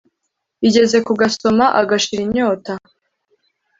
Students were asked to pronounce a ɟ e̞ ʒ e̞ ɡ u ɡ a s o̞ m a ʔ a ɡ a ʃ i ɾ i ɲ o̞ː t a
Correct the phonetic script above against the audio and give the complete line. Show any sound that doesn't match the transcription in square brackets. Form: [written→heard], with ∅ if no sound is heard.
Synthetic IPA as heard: [a→i] ɟ e̞ [ʒ→z] e̞ [ɡ→k] u ɡ a s o̞ m a ʔ a ɡ a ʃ i ɾ i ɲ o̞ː t a